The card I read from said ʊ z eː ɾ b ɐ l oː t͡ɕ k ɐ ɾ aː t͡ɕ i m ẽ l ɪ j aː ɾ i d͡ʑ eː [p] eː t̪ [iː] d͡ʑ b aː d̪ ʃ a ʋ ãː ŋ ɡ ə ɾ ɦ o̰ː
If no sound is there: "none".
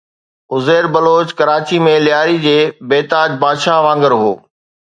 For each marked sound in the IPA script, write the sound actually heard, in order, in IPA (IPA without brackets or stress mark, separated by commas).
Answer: b, aː